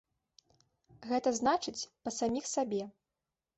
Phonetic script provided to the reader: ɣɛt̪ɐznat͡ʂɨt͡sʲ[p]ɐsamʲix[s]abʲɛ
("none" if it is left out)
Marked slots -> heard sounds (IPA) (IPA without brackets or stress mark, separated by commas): p, s